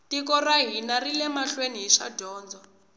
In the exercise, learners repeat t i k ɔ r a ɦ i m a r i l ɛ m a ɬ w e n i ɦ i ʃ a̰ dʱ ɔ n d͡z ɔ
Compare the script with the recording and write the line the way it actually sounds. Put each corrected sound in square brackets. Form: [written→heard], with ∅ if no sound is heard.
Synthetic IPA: t i k ɔ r a ɦ i [m→n] a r i l ɛ m a ɬ w e n i ɦ i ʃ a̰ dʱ [ɔ→ɔː] n d͡z ɔ

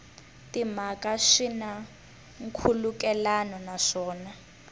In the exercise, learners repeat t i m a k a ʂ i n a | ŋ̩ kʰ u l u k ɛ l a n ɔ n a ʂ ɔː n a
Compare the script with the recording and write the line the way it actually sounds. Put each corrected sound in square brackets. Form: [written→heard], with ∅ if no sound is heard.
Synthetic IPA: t i m a k a ʂ i n a | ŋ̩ kʰ u l u k ɛ l a n ɔ n a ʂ ɔː n a

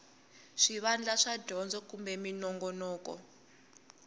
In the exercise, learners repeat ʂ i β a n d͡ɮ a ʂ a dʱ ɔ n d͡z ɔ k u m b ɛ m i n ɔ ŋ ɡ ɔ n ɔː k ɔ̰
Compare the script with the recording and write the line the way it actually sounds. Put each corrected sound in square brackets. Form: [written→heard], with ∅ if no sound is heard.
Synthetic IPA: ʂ i β a n d͡ɮ a ʂ a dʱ ɔ n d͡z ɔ k u m b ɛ m i n ɔ ŋ ɡ ɔ n ɔː k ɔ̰

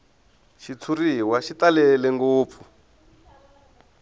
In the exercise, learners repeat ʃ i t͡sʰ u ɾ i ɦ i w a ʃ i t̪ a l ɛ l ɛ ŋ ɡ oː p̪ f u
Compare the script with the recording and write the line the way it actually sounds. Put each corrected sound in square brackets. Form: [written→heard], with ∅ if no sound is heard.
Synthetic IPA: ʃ i t͡sʰ u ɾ i ɦ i w a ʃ i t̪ a l ɛ l ɛ ŋ ɡ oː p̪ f u

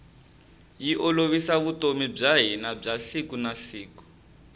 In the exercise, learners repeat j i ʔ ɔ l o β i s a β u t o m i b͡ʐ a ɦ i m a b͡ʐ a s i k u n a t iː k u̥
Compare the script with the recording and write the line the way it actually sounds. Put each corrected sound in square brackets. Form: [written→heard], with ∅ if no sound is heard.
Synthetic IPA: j i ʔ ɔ l o β i s a β u t o m i b͡ʐ a ɦ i [m→n] a b͡ʐ a s i k u n a [t→s] iː k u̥

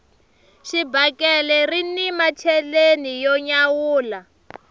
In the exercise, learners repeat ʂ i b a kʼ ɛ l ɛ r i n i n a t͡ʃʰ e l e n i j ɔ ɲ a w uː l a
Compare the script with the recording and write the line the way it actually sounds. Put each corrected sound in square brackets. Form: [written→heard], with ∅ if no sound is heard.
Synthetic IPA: [ʂ→ʃ] i b a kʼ ɛ l ɛ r i n i [n→m] a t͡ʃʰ [e→ɛ] l e n i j ɔ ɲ a w uː l a

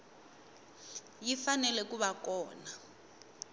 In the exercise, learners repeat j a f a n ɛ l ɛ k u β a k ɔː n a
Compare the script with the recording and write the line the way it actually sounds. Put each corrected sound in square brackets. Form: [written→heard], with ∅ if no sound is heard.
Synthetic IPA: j [a→i] f a n ɛ l ɛ k u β a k ɔː n a

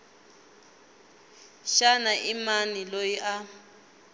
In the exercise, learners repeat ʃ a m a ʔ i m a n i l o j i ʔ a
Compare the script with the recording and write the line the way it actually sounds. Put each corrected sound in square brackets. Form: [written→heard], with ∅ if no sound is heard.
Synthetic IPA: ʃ a [m→n] a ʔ i m a n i l o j i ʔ a

